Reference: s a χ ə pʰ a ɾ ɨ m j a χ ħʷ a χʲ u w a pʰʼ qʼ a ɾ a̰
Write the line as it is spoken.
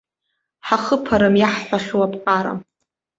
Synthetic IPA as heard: ħ a χ ə pʰ a ɾ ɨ m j a ħ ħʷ a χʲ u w a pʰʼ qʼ a ɾ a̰

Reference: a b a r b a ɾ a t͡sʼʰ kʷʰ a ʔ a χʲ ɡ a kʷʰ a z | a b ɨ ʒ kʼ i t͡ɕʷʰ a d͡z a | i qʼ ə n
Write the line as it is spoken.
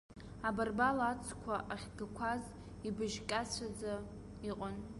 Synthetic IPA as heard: a b a r b a l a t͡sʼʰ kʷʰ a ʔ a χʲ ɡ a kʷʰ a z | i b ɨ ʒ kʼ a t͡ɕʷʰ a d͡z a | i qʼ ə n

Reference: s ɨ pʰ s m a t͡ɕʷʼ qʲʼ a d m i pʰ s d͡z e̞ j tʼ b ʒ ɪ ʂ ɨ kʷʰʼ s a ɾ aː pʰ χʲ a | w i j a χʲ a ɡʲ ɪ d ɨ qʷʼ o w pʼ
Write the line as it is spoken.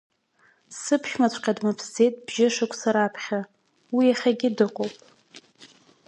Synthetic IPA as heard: s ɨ pʰ ʃ m a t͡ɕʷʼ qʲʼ a d m a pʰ s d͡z e̞ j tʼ b ʒ ɪ ʂ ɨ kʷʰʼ s a ɾ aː pʰ χʲ a | w i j a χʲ a ɡʲ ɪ d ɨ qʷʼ o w pʼ

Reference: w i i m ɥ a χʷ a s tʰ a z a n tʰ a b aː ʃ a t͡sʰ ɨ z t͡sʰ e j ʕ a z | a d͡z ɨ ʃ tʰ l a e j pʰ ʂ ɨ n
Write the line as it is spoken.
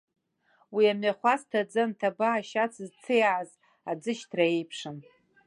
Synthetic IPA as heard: w i a m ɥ a χʷ a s tʰ a d͡z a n tʰ a b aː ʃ a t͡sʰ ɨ z t͡sʰ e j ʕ a z | a d͡z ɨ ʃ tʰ r a e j pʰ ʂ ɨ n

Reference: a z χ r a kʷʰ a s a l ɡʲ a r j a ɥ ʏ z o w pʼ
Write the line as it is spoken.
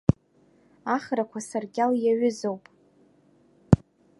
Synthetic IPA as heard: a χ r a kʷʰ a s a r ɡʲ a l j a ɥ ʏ z o w pʼ

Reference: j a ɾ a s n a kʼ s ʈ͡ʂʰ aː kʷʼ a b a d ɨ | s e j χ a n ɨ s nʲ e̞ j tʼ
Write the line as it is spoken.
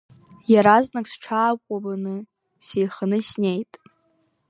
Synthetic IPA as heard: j a ɾ a z n a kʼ s ʈ͡ʂʰ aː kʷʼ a b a n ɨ | s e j χ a n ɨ s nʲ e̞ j tʼ

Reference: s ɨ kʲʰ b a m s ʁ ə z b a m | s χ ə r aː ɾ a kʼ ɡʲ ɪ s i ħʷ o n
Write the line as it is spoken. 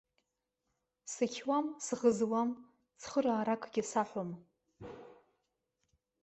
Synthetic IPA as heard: s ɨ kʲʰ w a m s ʁ ə z w a m | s χ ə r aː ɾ a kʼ ɡʲ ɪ s a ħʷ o m

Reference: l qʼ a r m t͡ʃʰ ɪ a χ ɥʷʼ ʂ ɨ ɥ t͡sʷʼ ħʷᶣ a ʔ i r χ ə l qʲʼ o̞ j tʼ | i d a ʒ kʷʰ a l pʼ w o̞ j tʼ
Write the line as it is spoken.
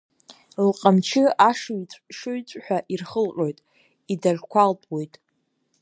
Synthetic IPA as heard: l qʼ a m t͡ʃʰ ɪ a ʂ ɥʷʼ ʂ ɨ ɥ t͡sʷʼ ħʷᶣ a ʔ i r χ ə l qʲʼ o̞ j tʼ | i d a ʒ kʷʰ a l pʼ w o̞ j tʼ

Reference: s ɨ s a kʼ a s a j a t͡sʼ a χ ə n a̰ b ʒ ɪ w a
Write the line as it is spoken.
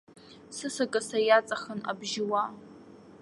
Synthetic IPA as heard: s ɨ s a kʼ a s a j a t͡sʼ a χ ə n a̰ b ʒ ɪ w a

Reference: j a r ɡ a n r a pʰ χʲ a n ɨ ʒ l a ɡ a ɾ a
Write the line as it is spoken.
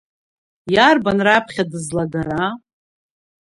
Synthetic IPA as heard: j a r b a n r a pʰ χʲ a d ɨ z l a ɡ a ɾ a

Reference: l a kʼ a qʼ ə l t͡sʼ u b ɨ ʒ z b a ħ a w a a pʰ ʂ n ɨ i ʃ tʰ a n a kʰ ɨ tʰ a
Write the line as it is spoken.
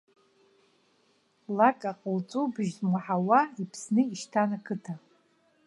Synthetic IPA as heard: l a kʼ a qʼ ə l t͡sʼ u b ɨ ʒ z m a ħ a w a i pʰ s n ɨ i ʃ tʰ a n a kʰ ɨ tʰ a

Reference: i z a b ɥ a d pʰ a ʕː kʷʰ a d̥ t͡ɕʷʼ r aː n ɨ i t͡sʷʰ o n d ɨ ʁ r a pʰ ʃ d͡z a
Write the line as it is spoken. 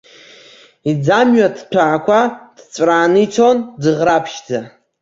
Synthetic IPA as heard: i d͡z a m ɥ a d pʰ a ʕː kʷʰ a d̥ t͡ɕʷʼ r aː n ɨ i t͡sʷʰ o n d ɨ ʁ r a pʰ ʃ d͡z a

